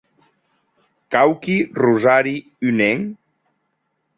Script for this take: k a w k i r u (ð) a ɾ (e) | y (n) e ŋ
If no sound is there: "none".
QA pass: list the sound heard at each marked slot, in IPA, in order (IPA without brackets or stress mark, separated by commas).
z, i, n